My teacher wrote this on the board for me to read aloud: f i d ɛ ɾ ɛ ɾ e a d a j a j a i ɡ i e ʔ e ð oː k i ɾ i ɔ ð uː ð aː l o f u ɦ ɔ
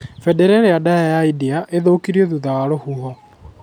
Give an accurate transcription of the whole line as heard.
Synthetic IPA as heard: f ɛ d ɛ ɾ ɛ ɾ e a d a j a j a i d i a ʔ e ð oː k i ɾ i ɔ ð u ð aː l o h u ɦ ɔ